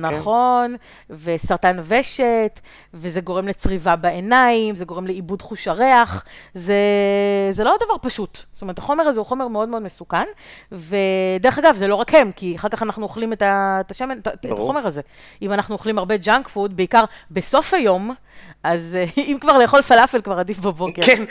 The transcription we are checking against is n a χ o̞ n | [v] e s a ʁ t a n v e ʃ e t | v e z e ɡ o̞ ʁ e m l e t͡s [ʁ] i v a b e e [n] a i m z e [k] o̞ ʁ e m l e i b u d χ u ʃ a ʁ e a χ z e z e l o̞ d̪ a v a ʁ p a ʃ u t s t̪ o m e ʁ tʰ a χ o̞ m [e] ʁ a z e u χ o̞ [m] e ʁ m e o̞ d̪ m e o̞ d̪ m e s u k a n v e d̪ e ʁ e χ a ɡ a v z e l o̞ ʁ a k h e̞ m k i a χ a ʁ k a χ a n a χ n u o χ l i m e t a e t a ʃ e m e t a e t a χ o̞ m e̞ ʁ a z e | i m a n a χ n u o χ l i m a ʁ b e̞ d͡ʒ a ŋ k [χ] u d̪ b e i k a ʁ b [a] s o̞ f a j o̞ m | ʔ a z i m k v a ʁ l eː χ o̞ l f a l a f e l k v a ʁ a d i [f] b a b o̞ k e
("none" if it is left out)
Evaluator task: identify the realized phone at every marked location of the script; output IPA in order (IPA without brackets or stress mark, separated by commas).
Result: v, ʁ, n, ɡ, e, m, f, e, f